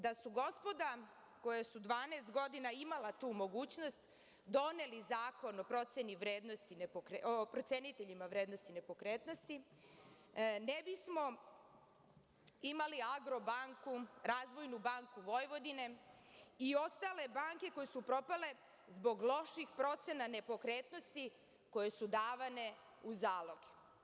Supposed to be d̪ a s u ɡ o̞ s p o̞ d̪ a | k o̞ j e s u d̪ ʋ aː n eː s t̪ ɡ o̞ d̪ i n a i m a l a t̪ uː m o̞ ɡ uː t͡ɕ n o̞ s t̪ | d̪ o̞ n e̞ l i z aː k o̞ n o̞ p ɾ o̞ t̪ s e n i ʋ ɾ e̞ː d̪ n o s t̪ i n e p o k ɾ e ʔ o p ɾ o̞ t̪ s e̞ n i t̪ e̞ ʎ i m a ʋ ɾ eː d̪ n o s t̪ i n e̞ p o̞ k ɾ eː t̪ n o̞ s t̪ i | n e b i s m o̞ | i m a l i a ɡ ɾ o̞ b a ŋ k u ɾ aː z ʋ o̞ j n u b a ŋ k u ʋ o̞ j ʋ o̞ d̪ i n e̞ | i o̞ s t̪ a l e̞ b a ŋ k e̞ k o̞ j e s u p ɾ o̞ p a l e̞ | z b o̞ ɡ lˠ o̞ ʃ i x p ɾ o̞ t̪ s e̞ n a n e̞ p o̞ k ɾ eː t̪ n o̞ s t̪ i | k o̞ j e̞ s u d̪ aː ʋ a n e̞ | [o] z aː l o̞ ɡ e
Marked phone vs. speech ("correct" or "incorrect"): incorrect